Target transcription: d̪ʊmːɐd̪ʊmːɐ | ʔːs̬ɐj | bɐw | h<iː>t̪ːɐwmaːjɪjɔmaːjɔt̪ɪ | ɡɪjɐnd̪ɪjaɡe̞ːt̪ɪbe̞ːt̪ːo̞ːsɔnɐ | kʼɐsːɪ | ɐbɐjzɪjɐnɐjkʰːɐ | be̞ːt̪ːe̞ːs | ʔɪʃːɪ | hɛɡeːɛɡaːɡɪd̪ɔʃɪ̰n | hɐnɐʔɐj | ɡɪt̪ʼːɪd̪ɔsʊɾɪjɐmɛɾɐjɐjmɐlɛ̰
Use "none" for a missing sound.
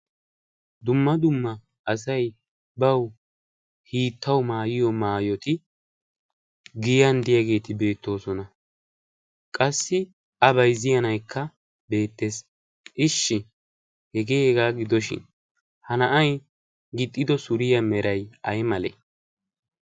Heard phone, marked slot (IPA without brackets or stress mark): iː